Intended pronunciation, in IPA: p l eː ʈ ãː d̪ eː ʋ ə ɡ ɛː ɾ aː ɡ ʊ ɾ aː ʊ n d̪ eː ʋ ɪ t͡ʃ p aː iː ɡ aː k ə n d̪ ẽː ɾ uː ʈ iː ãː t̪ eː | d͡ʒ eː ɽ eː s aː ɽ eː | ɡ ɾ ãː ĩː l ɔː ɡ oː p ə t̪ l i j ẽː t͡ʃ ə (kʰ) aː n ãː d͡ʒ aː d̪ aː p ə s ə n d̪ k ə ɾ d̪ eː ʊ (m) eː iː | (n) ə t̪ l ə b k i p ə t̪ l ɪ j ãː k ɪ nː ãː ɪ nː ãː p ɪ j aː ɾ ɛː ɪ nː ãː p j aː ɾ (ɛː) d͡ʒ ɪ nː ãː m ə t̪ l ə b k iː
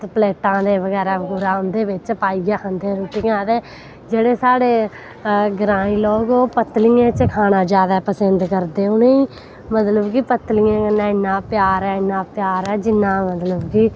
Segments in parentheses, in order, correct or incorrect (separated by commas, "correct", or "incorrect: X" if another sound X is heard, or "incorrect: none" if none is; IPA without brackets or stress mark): correct, incorrect: n, incorrect: m, correct